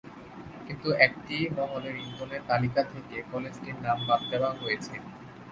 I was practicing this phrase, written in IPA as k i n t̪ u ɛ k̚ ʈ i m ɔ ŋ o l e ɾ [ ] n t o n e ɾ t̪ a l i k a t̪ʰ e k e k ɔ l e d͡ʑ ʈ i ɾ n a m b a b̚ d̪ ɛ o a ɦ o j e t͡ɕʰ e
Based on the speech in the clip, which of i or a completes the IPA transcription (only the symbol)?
i